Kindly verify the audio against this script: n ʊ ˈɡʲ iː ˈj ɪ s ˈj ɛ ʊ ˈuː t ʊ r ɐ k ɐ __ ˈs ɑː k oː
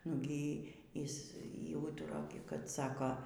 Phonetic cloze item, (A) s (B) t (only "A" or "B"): B